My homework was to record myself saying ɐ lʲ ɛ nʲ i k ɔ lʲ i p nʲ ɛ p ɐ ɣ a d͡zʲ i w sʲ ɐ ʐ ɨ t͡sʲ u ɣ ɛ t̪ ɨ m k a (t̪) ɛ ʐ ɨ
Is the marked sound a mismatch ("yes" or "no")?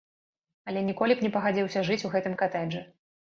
no